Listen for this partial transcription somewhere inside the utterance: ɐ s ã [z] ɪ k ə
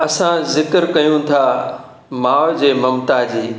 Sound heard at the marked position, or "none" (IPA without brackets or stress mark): z